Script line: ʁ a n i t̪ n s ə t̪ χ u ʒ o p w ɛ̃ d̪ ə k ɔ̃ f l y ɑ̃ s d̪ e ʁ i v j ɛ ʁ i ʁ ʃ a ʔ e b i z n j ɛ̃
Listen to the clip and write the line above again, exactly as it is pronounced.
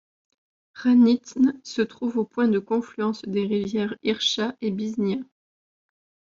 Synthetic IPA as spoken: ʁ a n i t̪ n s ə t̪ χ u v o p w ɛ̃ d̪ ə k ɔ̃ f l y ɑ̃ s d̪ e ʁ i v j ɛ ʁ i ʁ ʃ a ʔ e b i z n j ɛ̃